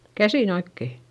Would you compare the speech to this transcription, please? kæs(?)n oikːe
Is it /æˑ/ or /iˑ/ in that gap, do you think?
iˑ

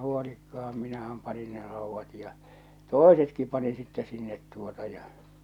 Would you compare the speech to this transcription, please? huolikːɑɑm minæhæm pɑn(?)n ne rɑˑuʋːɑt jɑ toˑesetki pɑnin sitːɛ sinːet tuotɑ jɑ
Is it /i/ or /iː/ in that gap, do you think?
i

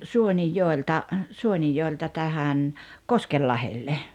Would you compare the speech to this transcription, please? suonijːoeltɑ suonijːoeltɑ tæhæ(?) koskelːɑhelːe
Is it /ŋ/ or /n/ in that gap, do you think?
n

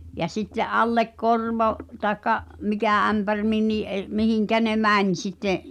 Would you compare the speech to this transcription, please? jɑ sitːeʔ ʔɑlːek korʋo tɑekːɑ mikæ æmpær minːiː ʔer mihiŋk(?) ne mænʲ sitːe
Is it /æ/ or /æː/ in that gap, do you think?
æ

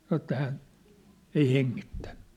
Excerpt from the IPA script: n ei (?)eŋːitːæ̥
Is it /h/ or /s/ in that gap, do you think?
h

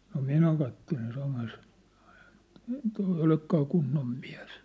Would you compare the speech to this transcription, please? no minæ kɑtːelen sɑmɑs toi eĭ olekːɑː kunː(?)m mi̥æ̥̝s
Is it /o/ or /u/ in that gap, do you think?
o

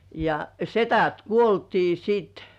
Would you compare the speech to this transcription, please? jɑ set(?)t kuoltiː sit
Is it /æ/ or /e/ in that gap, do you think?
æ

